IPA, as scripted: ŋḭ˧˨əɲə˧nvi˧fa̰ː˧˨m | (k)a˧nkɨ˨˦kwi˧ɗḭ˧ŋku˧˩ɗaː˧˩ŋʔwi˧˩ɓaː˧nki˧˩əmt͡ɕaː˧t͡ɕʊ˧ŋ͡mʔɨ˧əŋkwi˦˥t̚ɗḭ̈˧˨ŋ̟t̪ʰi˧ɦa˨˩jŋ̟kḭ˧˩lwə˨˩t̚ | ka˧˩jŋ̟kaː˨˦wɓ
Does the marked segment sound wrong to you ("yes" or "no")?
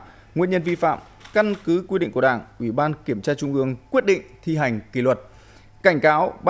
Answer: no